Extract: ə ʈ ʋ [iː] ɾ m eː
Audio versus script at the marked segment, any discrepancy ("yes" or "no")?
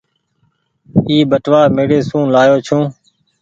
yes